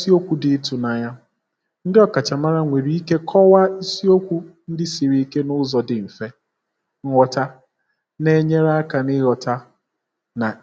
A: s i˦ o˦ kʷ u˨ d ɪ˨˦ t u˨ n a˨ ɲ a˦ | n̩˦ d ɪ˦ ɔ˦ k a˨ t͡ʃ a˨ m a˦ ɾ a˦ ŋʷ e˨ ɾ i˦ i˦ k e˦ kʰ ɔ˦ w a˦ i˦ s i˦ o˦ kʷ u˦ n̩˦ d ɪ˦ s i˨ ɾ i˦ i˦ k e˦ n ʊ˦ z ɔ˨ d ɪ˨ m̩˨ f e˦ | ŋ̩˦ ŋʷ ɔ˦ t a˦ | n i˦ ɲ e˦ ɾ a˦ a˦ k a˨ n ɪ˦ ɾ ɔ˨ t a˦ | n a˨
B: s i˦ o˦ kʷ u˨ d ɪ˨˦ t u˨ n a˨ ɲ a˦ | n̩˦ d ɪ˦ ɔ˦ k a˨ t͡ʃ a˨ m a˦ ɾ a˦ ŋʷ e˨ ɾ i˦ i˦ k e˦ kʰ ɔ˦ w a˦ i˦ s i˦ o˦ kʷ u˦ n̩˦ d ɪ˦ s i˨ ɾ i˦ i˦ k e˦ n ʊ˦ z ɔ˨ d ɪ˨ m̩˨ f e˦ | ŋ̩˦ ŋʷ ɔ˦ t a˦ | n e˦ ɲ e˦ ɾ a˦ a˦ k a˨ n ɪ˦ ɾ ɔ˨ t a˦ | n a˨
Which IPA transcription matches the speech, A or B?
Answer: B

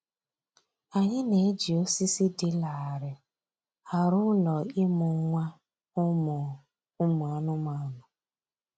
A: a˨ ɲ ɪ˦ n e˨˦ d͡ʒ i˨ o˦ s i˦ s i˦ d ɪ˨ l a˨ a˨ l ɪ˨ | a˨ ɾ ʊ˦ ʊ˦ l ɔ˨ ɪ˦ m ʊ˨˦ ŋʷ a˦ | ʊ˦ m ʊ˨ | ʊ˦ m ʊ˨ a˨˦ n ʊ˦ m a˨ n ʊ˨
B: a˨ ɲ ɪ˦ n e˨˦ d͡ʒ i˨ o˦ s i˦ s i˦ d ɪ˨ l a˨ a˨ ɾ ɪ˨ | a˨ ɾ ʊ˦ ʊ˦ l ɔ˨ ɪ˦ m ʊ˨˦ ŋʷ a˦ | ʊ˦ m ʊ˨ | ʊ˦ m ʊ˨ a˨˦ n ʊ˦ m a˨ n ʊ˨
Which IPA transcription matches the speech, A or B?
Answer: B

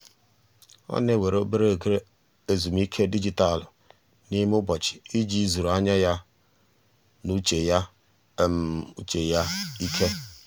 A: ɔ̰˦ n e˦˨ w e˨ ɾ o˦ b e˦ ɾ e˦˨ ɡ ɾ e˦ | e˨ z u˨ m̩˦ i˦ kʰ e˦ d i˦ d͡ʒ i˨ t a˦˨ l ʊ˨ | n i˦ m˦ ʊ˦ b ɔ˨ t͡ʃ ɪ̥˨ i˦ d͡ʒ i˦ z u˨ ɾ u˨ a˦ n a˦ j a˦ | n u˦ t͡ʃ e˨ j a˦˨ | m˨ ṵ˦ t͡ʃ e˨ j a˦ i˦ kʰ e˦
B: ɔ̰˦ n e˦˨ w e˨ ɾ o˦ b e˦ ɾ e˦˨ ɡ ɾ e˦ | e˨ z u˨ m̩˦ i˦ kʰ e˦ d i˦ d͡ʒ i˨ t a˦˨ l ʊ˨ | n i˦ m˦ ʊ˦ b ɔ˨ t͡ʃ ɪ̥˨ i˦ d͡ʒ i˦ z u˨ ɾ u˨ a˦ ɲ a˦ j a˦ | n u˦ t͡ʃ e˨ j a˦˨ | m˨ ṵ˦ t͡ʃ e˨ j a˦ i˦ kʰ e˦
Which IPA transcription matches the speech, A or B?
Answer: B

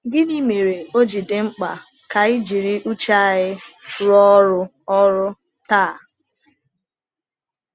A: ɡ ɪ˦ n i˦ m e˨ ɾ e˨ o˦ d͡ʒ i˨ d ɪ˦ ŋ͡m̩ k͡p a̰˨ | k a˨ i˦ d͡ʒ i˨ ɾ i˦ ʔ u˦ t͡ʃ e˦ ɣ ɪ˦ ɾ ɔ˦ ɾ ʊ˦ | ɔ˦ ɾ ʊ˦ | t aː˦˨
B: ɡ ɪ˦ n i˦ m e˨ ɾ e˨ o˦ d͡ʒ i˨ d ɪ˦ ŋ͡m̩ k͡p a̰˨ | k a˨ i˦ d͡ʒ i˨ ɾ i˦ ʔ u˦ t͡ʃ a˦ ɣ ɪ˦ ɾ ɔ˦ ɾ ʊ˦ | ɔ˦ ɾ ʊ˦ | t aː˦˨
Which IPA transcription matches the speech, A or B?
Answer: B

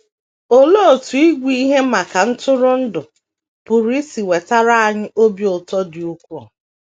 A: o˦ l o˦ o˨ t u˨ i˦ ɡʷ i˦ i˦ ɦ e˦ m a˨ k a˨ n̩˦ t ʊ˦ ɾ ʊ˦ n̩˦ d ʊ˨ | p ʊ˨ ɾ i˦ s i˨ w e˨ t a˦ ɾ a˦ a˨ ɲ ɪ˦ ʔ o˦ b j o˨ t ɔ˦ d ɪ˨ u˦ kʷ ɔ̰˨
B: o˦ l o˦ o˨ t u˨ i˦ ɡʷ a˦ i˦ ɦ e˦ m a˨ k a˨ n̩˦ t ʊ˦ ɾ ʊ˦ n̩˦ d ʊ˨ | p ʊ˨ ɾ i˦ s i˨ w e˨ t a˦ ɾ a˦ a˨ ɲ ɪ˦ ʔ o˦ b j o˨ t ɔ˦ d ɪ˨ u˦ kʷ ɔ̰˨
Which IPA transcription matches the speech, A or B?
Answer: A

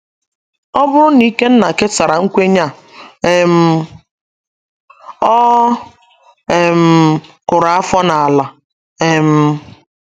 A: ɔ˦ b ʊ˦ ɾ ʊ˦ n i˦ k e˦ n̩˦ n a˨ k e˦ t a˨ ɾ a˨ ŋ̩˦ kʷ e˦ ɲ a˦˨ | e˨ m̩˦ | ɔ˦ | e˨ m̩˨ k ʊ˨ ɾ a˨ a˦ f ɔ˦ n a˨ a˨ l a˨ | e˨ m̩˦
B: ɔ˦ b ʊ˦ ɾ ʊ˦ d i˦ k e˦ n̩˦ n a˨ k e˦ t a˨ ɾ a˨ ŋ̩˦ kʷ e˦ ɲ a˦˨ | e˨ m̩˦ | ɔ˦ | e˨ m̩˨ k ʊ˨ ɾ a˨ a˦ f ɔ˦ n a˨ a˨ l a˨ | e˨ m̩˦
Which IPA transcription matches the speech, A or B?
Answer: A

